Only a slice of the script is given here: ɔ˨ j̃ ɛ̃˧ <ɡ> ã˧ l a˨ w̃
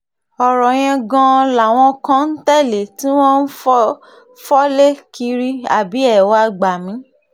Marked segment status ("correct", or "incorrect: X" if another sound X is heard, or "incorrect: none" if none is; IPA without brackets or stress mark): correct